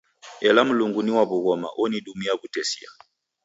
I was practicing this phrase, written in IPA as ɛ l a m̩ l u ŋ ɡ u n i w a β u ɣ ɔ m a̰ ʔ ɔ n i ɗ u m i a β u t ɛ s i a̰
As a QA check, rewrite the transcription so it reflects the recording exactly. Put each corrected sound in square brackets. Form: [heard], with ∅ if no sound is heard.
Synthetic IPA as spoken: ɛ l a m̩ l u ŋ ɡ u n i w a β u ɣ ɔ m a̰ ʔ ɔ n i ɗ u m i a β u t ɛ s i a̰